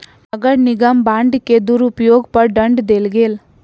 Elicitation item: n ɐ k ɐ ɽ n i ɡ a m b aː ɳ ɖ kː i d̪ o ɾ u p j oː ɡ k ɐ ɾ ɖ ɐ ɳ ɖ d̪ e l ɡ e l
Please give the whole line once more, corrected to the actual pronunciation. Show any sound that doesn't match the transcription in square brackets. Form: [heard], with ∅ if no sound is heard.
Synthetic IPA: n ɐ [ɡ] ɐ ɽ n i ɡ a m b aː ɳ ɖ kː [e] d̪ [u] ɾ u p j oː ɡ [p] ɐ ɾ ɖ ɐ ɳ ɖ d̪ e l ɡ e l